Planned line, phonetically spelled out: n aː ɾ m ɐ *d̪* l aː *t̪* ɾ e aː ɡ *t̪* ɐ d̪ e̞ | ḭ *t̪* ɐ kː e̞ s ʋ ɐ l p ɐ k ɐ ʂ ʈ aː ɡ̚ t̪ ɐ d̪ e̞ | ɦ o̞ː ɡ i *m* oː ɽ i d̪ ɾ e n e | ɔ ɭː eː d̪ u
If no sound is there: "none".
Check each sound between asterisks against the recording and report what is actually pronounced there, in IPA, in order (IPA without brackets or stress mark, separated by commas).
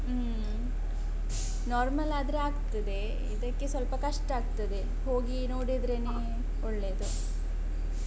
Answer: none, d̪, t̪, d̪, n